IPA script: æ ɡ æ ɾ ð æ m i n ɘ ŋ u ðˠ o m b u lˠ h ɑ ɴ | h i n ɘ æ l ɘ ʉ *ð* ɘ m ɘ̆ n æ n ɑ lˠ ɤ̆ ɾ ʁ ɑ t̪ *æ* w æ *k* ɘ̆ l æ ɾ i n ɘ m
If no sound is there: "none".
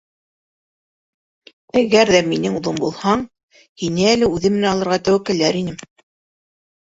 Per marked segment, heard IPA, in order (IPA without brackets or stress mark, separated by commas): ð, æ, k